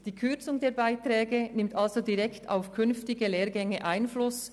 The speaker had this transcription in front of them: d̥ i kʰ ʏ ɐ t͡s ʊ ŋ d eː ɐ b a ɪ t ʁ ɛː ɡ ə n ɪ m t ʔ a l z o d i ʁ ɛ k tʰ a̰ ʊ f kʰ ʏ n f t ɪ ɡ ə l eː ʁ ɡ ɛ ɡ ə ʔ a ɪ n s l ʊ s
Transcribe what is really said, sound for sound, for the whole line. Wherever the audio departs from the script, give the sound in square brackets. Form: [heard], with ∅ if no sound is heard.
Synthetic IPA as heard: d̥ [iː] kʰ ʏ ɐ t͡s ʊ ŋ d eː ɐ b a ɪ t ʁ ɛː ɡ ə n ɪ m t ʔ a l z o d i ʁ ɛ k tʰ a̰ ʊ f kʰ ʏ n f t ɪ ɡ ə l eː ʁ ɡ ɛ [ŋ] ə ʔ a ɪ n [f] l ʊ s